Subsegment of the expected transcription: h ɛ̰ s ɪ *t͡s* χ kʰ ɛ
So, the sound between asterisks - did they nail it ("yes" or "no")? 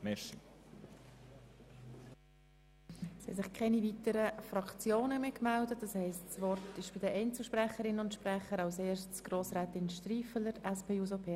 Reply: no